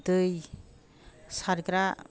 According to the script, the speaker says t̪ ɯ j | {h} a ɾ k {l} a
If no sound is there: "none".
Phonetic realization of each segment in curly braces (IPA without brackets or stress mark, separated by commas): s, ɾ